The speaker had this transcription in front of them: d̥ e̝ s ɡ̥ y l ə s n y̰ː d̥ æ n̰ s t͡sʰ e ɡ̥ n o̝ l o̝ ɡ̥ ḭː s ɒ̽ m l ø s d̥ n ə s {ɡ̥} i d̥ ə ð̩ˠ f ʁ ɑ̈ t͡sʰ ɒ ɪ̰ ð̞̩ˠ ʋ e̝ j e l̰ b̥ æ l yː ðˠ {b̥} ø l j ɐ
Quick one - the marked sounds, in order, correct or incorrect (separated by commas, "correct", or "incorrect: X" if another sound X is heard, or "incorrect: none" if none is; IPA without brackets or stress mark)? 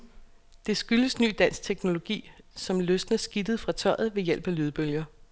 correct, correct